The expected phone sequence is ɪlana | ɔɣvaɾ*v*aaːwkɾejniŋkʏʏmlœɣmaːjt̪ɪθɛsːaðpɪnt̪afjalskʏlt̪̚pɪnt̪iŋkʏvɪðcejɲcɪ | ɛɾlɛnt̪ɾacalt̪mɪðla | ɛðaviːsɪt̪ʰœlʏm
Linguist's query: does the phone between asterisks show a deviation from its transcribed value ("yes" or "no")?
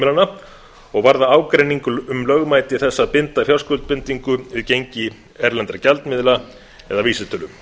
yes